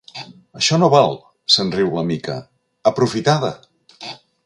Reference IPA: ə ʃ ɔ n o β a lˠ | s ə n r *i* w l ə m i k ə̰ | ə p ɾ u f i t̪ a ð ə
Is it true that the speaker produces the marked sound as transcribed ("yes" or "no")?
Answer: yes